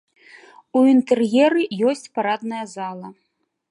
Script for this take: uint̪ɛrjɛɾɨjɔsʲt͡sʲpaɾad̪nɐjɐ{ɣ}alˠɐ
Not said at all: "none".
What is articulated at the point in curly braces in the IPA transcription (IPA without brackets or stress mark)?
z